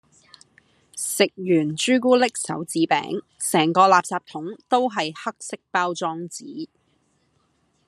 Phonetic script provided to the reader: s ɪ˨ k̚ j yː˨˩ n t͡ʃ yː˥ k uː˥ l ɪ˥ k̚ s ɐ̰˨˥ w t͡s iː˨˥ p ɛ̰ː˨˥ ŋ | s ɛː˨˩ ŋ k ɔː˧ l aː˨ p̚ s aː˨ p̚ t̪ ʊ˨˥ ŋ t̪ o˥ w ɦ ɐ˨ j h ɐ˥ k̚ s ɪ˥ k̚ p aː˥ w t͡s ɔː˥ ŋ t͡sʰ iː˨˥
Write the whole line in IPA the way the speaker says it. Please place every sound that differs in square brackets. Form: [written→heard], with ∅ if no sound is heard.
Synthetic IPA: s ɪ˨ k̚ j yː˨˩ n t͡ʃ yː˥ k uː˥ l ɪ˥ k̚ s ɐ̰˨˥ w t͡s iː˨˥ p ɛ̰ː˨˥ ŋ | s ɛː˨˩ ŋ k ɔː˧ l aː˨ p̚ s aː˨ p̚ [t̪→t̪ʰ] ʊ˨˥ ŋ t̪ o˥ w ɦ ɐ˨ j h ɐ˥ k̚ s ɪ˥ k̚ p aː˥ w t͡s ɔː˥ ŋ [t͡sʰ→t͡s] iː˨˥

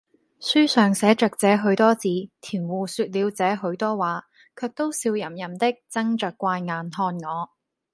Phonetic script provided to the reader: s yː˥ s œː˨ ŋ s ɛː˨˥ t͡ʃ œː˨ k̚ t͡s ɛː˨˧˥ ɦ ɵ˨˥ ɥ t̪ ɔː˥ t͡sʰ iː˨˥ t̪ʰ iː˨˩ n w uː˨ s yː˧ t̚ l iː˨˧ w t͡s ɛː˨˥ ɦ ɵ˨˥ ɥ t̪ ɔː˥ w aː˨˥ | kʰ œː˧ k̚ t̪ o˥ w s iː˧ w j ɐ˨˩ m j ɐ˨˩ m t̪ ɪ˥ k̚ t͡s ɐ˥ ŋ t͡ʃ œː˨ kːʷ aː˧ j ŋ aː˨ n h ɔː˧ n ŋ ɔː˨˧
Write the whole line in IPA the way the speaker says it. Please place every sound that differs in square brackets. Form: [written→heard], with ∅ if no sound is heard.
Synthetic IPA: s yː˥ s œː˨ ŋ s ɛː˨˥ t͡ʃ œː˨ k̚ t͡s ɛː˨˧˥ ɦ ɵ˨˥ ɥ t̪ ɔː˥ [t͡sʰ→t͡s] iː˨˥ t̪ʰ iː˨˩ n w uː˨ s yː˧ t̚ l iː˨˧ w t͡s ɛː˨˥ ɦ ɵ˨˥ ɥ t̪ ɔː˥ w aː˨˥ | kʰ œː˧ k̚ t̪ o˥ w s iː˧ w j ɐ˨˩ m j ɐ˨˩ m t̪ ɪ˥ k̚ t͡s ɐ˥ ŋ t͡ʃ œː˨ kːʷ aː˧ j ŋ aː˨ n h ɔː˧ n ŋ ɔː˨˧

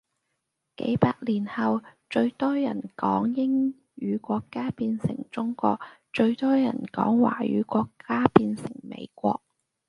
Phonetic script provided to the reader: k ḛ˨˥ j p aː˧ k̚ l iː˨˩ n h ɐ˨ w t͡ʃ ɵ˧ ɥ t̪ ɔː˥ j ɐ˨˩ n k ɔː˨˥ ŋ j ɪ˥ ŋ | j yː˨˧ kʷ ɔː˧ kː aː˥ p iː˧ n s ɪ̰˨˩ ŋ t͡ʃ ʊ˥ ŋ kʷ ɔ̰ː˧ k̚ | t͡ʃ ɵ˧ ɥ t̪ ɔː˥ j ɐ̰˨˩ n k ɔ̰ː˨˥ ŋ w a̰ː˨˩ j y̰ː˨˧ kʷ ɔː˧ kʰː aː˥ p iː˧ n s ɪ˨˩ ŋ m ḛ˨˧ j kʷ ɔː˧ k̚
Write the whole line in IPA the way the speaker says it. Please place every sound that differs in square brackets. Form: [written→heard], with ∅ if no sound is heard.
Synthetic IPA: k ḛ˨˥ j p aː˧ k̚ l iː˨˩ n h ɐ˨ w t͡ʃ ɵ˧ ɥ t̪ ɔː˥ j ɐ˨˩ n k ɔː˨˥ ŋ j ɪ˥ ŋ | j yː˨˧ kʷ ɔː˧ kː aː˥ p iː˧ n s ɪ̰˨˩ ŋ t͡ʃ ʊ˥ ŋ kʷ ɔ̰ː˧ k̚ | t͡ʃ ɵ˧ ɥ t̪ ɔː˥ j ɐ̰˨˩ n k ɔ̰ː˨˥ ŋ w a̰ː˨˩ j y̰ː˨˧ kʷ ɔː˧ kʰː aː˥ p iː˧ n s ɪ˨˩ ŋ m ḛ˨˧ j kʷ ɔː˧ k̚

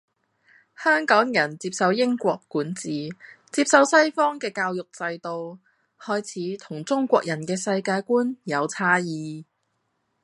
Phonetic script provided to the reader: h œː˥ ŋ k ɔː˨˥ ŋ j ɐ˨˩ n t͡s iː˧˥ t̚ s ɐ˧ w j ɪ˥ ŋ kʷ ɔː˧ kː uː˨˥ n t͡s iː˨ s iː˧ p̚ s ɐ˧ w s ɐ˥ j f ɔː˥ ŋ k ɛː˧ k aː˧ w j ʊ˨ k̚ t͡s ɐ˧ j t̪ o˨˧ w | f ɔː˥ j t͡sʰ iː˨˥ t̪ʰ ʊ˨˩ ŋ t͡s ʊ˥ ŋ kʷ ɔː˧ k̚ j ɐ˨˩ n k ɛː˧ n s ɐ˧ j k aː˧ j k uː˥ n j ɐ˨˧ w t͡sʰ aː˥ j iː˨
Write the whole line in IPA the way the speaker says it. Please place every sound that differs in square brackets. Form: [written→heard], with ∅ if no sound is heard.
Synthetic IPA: h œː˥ ŋ k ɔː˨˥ ŋ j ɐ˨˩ n t͡s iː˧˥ [t̚→p̚] s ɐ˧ w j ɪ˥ ŋ kʷ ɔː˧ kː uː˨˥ n t͡s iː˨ [s→t͡s] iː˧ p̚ s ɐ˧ w s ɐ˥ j f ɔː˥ ŋ k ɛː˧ k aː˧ w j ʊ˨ k̚ t͡s ɐ˧ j t̪ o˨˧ w | [f→h] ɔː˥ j t͡sʰ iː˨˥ t̪ʰ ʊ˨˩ ŋ t͡s ʊ˥ ŋ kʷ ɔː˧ k̚ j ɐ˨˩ n k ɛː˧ [n→∅] s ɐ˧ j k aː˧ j k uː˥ n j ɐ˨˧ w t͡sʰ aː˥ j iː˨

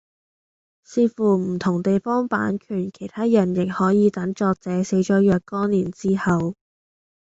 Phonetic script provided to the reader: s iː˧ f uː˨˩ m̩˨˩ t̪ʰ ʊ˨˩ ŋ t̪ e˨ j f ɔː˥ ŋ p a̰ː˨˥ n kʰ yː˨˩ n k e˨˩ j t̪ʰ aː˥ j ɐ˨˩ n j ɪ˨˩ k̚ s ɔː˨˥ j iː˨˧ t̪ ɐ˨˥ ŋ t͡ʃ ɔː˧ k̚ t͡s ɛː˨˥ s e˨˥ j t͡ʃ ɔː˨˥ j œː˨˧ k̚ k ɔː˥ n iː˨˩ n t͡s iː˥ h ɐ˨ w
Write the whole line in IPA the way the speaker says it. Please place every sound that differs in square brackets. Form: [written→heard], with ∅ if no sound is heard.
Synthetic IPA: s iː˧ f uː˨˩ m̩˨˩ t̪ʰ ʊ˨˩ ŋ t̪ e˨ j f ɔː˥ ŋ p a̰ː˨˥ n kʰ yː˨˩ n [k→kʰ] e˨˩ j t̪ʰ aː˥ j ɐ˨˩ n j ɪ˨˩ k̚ [s→h] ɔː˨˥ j iː˨˧ t̪ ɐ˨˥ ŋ t͡ʃ ɔː˧ k̚ t͡s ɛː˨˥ s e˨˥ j t͡ʃ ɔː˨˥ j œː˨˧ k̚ k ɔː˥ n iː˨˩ n t͡s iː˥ h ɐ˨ w

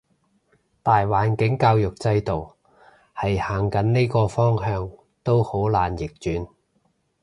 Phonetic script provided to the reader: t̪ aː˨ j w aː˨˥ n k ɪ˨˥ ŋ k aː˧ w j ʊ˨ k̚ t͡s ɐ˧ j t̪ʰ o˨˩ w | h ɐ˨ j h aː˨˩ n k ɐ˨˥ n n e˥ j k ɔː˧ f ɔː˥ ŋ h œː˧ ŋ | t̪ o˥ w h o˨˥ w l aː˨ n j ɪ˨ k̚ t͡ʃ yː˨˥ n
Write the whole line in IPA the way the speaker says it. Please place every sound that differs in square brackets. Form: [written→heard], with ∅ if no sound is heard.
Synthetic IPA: t̪ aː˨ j w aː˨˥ n k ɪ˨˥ ŋ k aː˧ w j ʊ˨ k̚ t͡s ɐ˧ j [t̪ʰ→t̪] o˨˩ w | h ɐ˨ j h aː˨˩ [n→ŋ] k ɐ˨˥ n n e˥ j k ɔː˧ f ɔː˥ ŋ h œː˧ ŋ | t̪ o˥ w h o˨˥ w l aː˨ n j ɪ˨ k̚ t͡ʃ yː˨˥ n

